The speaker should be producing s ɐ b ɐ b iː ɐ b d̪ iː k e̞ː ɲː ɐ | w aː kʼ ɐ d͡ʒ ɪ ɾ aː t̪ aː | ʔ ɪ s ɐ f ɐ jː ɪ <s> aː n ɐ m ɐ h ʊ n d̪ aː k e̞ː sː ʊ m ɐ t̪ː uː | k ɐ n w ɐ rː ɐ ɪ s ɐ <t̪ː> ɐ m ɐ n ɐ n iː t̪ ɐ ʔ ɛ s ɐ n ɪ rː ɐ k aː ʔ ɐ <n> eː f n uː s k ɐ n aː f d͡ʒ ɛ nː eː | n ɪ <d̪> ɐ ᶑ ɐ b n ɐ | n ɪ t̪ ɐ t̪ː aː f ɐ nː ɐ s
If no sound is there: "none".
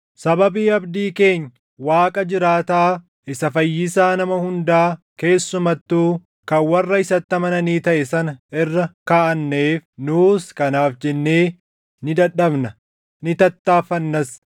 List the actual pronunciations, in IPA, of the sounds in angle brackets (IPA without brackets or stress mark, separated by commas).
s, t̪ː, nː, d̪